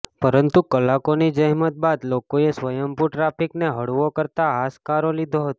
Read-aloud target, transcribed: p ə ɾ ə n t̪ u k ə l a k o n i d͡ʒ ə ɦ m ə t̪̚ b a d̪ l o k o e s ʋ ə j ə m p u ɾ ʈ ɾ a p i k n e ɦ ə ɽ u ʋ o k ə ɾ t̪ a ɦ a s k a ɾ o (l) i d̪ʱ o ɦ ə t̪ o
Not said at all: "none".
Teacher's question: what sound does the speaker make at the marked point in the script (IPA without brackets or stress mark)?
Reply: l